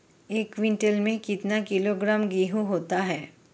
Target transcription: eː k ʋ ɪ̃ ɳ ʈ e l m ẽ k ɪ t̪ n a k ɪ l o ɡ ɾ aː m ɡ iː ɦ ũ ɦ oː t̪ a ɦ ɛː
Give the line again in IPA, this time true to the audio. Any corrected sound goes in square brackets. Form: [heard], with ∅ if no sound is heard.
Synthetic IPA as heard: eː k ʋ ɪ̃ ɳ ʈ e l m ẽ k ɪ t̪ n a k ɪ l o ɡ ɾ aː m ɡ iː ɦ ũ ɦ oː t̪ a ɦ ɛː